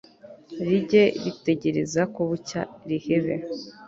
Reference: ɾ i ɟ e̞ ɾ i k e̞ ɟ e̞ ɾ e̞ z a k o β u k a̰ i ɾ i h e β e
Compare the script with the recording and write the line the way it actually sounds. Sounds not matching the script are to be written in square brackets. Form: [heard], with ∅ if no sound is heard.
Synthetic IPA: ɾ i ɟ e̞ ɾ i [t] e̞ ɟ e̞ ɾ e̞ z a k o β u [c] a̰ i ɾ i h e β e